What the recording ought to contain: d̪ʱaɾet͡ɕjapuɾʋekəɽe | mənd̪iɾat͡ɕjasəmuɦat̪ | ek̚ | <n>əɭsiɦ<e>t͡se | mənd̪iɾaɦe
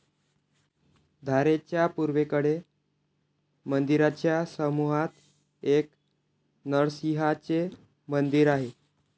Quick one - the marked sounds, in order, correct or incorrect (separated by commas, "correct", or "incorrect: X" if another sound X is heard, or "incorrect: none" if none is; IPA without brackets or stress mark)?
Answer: correct, incorrect: a